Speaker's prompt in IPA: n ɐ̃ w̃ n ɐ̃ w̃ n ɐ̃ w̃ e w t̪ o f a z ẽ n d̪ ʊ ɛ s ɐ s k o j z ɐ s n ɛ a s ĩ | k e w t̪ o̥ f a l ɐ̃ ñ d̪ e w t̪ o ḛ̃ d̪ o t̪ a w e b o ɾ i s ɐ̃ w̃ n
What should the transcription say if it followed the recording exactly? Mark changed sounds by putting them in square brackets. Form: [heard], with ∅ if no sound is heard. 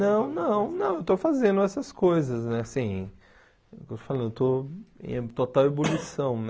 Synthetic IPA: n ɐ̃ w̃ n ɐ̃ w̃ n ɐ̃ w̃ e w t̪ o f a z ẽ n d̪ ʊ ɛ s ɐ s k o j z ɐ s n ɛ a s ĩ | k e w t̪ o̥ f a l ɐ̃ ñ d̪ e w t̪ o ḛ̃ [t̪] o t̪ a w e b o [l] i s ɐ̃ w̃ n